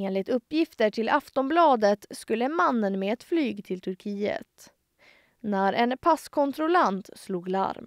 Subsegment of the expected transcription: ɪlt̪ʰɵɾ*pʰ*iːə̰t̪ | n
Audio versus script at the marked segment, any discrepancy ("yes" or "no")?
yes